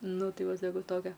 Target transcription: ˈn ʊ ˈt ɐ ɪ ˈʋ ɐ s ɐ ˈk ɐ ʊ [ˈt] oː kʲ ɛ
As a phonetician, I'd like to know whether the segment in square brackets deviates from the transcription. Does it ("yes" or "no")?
no